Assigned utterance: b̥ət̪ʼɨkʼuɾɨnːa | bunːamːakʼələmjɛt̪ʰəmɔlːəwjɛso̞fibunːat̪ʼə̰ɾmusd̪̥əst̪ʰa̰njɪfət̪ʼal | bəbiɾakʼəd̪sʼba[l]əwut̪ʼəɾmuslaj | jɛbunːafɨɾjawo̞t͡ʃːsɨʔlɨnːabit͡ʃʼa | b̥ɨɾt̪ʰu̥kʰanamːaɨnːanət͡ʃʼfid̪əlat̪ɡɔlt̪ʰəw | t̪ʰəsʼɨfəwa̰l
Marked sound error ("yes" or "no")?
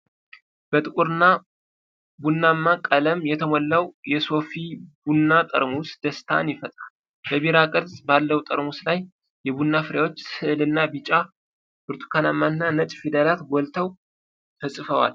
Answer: yes